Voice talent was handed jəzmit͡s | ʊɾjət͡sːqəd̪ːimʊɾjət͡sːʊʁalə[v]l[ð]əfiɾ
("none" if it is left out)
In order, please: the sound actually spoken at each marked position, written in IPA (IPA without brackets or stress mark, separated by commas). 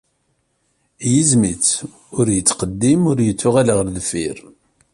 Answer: ʁ, ð